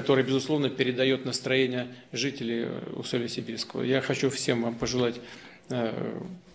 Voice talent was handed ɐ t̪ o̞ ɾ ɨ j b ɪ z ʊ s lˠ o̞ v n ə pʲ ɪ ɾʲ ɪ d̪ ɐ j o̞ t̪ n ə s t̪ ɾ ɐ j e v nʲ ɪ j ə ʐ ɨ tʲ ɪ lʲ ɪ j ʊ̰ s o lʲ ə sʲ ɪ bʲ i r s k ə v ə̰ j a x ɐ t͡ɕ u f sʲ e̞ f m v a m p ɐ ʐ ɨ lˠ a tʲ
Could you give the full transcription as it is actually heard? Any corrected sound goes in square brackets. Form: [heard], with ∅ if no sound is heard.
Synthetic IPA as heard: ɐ t̪ o̞ ɾ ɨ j b ɪ z ʊ s lˠ o̞ v n ə pʲ ɪ ɾʲ ɪ d̪ ɐ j o̞ t̪ n ə s t̪ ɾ ɐ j e [∅] nʲ ɪ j ə ʐ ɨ tʲ ɪ lʲ ɪ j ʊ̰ s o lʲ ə sʲ ɪ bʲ i r s k ə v ə̰ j a x ɐ t͡ɕ u f sʲ e̞ [∅] m v a m p [ə] ʐ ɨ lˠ a tʲ